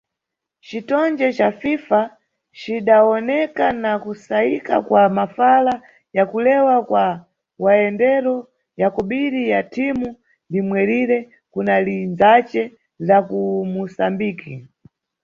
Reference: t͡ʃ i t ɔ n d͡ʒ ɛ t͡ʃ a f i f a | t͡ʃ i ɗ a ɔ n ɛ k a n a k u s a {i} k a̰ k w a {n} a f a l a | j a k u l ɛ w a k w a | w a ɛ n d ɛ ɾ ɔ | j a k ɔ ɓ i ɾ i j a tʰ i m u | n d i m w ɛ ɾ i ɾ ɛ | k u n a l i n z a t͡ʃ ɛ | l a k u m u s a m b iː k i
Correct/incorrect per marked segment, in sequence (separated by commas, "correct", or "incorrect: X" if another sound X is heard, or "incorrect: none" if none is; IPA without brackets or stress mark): correct, incorrect: m